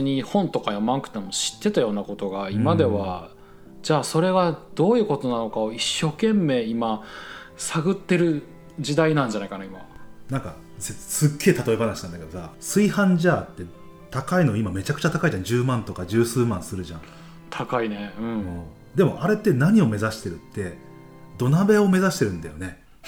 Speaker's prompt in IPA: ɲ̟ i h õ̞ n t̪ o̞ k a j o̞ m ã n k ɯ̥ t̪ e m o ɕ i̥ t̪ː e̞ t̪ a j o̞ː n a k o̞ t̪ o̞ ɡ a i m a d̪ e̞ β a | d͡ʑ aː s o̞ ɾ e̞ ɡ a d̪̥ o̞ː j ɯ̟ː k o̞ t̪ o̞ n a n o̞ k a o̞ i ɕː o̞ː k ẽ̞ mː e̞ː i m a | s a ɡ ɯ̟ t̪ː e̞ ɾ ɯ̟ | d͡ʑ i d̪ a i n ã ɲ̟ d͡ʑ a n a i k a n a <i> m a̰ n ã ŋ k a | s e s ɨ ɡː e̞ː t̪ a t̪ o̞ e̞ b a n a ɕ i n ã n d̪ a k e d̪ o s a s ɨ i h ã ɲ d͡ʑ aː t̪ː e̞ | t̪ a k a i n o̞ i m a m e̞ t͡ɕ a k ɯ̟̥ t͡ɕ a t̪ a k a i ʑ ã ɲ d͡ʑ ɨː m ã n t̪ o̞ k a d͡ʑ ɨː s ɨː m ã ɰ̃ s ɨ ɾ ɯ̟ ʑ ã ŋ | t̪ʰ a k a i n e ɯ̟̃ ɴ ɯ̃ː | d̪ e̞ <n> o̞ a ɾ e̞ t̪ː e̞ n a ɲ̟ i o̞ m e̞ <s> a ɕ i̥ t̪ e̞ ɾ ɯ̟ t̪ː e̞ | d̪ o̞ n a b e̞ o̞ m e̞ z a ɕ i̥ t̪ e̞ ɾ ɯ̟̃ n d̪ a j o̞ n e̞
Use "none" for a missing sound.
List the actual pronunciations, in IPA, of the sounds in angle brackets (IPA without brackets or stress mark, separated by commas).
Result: i, m, z